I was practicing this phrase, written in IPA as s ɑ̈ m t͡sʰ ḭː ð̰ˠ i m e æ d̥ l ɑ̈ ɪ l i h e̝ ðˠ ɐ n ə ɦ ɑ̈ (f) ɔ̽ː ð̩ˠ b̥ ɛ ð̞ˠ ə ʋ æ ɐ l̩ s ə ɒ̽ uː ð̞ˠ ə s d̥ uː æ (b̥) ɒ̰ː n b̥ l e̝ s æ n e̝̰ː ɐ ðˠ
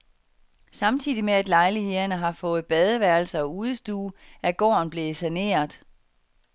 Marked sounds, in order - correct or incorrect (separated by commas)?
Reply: correct, incorrect